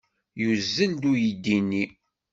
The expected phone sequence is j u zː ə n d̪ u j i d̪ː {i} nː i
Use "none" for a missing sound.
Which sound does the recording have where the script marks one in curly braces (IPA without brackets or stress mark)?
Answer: i